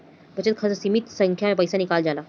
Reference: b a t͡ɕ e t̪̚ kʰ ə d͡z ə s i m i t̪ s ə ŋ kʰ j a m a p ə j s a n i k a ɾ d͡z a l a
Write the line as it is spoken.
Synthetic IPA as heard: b ə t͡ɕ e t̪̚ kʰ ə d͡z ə s i m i t̪ s ə ŋ kʰ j a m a p ə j s a n i k a l d͡z a l a